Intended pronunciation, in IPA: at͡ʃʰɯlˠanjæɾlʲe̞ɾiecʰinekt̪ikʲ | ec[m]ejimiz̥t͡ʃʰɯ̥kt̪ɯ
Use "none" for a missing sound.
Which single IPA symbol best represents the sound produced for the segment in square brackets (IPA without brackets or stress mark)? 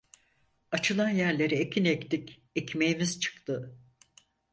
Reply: m